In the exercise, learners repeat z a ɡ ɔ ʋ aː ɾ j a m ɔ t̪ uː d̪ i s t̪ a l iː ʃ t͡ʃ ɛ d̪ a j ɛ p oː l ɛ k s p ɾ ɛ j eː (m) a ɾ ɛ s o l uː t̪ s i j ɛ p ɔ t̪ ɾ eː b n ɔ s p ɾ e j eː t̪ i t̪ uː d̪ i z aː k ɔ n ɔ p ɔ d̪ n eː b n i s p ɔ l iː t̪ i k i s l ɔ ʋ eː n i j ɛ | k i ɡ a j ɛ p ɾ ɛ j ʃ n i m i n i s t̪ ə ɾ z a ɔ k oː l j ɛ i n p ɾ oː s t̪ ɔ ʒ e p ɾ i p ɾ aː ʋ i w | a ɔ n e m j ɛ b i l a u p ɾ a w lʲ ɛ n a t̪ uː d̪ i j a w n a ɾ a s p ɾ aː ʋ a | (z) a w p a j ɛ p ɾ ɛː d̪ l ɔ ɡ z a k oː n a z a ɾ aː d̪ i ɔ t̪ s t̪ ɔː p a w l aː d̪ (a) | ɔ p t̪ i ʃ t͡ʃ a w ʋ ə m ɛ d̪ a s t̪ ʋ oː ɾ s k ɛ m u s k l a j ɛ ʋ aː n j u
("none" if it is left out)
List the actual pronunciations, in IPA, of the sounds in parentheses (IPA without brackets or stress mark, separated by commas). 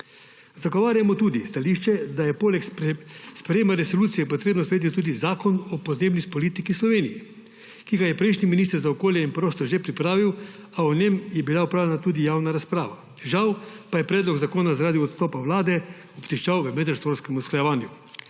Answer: m, ʒ, ɛ